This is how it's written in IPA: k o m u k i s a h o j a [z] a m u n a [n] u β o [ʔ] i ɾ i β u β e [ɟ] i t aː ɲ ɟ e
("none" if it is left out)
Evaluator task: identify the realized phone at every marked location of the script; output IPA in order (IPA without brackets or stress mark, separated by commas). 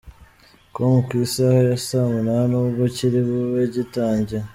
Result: s, n, c, ɟ